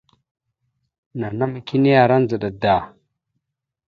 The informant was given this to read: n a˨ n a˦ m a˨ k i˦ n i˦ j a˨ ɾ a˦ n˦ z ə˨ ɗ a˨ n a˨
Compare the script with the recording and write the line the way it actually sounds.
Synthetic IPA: n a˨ n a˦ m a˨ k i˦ n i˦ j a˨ ɾ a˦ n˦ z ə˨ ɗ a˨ d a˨